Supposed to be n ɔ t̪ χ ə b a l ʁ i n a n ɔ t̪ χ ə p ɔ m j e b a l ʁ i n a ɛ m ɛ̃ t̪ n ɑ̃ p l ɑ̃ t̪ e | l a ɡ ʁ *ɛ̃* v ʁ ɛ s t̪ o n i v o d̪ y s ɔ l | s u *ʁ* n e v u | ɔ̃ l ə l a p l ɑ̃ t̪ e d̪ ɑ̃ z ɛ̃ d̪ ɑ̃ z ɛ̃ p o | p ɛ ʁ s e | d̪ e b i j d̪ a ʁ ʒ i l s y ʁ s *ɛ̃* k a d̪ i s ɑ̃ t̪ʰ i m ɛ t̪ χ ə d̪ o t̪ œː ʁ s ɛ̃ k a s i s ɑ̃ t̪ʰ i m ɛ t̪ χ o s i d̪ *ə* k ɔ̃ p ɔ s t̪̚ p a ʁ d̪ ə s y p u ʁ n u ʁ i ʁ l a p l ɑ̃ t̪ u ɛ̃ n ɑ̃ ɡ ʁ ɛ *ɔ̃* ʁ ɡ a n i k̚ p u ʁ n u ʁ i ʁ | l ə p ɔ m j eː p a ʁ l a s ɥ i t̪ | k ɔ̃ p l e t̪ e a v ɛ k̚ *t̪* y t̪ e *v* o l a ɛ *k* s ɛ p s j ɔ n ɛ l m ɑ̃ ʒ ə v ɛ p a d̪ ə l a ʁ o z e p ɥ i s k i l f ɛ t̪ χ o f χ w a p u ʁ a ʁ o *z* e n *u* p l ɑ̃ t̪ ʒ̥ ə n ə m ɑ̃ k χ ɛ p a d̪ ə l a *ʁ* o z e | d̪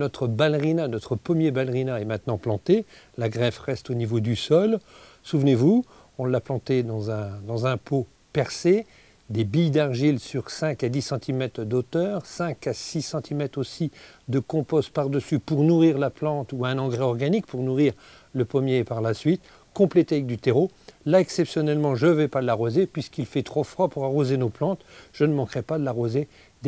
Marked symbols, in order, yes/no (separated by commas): no, no, yes, yes, no, no, no, yes, yes, no, yes